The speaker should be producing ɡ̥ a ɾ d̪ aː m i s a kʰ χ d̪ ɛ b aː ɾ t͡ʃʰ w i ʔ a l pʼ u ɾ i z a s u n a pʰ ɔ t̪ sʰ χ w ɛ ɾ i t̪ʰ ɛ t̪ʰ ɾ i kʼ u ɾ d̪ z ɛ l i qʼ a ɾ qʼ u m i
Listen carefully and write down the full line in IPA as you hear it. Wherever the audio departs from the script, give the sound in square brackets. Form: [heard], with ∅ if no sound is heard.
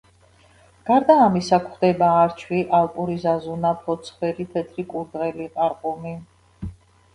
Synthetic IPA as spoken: ɡ̥ a ɾ d̪ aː m i s a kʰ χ d̪ ɛ b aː ɾ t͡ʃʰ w i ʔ a l pʼ u ɾ i z a [z] u n a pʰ ɔ t̪ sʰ χ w ɛ ɾ i t̪ʰ ɛ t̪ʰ ɾ i kʼ u ɾ d̪ [ʁ] ɛ l i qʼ a ɾ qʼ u m i